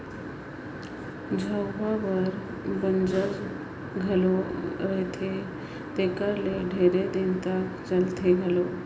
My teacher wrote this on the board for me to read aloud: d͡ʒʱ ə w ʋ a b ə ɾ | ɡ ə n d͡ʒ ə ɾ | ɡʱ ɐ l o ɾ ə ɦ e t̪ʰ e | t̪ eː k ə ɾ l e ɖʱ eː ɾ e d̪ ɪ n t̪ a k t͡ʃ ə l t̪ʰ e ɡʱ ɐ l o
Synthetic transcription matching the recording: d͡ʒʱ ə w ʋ a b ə ɾ | b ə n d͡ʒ ə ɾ | ɡʱ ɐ l o ɾ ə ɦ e t̪ʰ e | t̪ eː k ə ɾ l e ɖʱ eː ɾ e d̪ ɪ n t̪ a k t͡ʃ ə l t̪ʰ e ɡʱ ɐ l o